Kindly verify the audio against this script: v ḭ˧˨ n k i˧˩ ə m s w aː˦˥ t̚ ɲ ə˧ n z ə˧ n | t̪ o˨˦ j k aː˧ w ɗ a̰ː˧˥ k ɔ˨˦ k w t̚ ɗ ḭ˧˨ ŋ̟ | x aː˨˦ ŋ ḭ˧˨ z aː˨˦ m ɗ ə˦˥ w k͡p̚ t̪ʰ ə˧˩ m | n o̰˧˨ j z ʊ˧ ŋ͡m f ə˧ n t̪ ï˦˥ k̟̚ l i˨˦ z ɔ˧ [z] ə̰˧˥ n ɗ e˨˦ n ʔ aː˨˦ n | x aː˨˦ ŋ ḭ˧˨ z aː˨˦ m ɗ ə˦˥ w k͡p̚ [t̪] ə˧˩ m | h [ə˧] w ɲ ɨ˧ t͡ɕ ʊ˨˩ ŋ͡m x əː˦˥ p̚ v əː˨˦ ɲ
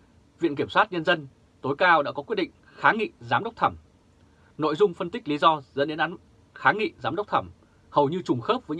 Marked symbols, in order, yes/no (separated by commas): yes, no, no